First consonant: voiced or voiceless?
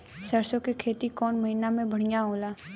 voiceless